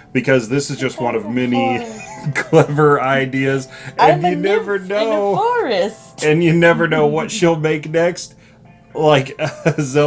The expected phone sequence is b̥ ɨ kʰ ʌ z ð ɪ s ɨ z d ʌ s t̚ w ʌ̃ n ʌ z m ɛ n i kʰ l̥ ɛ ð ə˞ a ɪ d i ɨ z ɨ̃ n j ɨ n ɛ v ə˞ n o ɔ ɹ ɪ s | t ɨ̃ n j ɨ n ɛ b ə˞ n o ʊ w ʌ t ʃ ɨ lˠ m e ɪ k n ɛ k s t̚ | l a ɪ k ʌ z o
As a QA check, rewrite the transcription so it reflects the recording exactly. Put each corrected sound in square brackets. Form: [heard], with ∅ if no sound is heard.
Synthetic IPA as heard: b̥ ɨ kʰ ʌ z ð ɪ s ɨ z [d͡ʒ] ʌ s t̚ w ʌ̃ n ʌ [v] m ɛ n i kʰ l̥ ɛ [v] ə˞ a ɪ d i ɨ z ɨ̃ n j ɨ n ɛ v ə˞ n o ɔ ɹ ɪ s | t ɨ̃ n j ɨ n ɛ [v] ə˞ n o ʊ w ʌ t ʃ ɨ lˠ m e ɪ k n ɛ k s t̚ | l a ɪ k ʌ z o